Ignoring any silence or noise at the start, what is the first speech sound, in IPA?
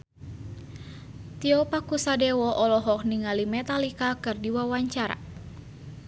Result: t̪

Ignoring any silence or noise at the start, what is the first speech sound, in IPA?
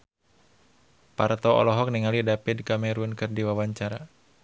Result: p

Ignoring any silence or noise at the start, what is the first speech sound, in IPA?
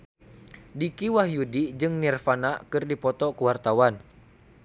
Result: d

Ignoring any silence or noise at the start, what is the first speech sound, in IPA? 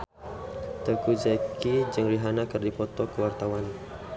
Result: t̪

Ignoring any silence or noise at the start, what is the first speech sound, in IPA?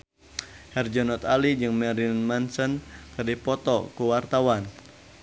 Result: h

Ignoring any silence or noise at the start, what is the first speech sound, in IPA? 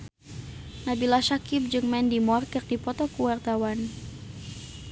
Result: n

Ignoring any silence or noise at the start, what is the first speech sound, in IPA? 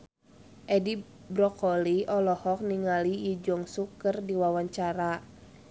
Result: ʔ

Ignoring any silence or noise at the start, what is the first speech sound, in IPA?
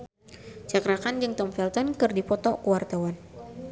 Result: t͡ʃ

